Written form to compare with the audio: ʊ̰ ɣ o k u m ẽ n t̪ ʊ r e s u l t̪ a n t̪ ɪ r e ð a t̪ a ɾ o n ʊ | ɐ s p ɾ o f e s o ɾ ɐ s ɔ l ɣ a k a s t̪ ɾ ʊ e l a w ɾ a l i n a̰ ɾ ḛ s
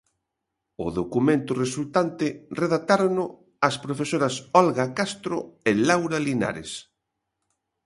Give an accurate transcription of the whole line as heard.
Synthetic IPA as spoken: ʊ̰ ð o k u m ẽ n t̪ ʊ r e s u l t̪ a n t̪ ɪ r e ð a t̪ a ɾ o n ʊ | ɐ s p ɾ o f e s o ɾ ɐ s ɔ l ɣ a k a s t̪ ɾ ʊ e l a w ɾ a l i n a̰ ɾ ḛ s